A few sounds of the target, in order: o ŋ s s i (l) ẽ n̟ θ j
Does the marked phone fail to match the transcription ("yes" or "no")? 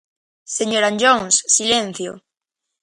no